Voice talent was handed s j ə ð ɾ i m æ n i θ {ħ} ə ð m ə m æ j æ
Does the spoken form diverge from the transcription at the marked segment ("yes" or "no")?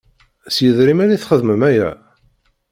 yes